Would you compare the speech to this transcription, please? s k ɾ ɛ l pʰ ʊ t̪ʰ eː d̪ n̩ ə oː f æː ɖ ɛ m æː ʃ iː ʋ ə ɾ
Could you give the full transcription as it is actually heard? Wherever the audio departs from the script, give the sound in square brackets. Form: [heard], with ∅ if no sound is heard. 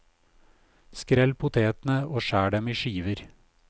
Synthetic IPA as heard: s k ɾ ɛ l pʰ ʊ t̪ʰ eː [t̪] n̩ ə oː [ʃ] æː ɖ ɛ m [iː] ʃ iː ʋ ə ɾ